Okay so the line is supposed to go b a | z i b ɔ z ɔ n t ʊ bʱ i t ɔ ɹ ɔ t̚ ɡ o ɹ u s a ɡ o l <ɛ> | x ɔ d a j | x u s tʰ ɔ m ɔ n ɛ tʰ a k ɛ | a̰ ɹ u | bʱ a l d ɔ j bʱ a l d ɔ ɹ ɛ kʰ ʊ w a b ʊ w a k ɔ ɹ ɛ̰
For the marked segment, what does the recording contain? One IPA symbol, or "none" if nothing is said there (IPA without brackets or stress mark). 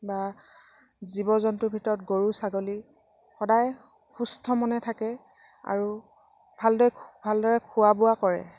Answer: i